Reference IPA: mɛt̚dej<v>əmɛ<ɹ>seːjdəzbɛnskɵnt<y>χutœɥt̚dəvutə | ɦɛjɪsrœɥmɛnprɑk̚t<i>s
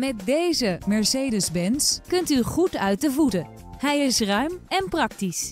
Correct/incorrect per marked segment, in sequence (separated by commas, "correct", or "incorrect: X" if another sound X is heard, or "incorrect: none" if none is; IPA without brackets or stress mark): incorrect: z, correct, correct, correct